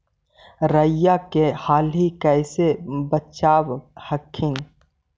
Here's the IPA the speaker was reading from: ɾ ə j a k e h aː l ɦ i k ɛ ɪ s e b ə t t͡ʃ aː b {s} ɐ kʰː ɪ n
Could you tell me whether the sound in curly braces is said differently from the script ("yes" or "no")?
yes